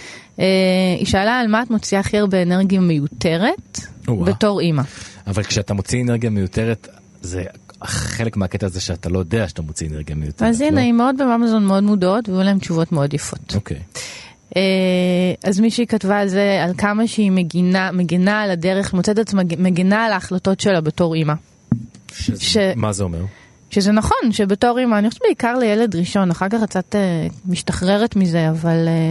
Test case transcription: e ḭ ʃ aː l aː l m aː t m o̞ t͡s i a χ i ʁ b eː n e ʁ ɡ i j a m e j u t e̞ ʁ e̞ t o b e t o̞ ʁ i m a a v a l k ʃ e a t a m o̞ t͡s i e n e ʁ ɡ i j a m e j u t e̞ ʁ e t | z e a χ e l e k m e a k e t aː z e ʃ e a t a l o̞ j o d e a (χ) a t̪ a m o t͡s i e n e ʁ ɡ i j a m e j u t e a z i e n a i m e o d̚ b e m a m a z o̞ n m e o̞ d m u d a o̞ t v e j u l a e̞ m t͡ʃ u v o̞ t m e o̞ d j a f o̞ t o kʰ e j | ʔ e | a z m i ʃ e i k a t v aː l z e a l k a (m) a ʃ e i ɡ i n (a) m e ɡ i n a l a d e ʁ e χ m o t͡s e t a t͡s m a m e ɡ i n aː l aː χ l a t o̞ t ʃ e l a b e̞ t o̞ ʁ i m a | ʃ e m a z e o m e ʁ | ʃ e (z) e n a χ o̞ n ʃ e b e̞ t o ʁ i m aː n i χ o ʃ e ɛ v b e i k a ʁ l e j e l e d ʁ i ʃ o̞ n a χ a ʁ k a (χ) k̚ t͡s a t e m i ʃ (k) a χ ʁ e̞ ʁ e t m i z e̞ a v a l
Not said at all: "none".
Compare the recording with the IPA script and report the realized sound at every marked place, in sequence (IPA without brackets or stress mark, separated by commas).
ʃ, m, a, z, χ, t